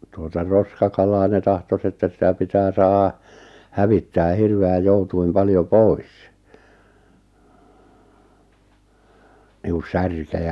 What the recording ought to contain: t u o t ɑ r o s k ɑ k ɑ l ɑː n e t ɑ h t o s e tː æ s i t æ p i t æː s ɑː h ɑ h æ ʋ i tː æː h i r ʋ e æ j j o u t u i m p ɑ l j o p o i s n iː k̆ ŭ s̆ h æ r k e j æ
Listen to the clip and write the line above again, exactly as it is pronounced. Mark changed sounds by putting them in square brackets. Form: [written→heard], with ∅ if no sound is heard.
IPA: t u o t ɑ r o s k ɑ k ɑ l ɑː n e t ɑ h t o s e tː æ s i t æ p i t æː s ɑː h ɑ h æ ʋ i tː æː h i r ʋ e æ j j o u t u i m p ɑ l j o p o i s n iː k̆ ŭ s̆ [h→s] æ r k e j æ